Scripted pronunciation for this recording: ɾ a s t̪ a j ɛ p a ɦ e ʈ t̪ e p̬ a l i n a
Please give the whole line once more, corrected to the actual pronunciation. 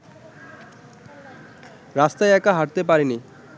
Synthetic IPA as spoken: ɾ a s t̪ a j ɛ k a ɦ a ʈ t̪ e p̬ a ɾ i n i